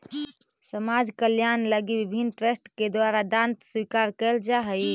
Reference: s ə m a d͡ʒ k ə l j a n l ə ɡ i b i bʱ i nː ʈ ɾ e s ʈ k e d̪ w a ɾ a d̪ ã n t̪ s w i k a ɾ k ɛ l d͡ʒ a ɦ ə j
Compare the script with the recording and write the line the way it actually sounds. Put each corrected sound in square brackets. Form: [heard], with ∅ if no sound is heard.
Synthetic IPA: s ə m a d͡ʒ k ə l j a n l ə ɡ i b i bʱ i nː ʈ ɾ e s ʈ k e d̪ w a ɾ a d̪ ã n t̪ s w i k a ɾ k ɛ l d͡ʒ a ɦ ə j